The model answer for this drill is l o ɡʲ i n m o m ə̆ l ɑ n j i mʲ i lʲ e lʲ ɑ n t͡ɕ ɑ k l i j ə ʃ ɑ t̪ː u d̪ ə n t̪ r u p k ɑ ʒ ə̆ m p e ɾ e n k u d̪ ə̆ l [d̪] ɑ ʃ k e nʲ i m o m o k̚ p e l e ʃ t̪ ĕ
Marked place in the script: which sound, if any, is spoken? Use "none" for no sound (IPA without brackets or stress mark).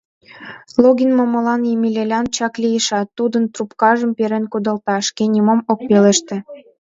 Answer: t̪